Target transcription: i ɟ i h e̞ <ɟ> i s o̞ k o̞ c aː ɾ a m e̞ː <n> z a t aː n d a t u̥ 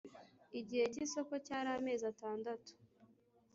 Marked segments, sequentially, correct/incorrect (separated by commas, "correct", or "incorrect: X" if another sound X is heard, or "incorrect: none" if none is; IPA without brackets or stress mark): incorrect: c, incorrect: none